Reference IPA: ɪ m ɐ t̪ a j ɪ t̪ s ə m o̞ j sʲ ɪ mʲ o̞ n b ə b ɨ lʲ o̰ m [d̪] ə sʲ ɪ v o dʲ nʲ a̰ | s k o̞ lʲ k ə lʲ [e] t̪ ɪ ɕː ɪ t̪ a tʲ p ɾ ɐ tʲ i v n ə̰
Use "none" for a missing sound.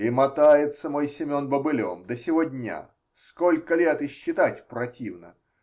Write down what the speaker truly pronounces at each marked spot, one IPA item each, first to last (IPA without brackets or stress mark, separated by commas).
d̪, e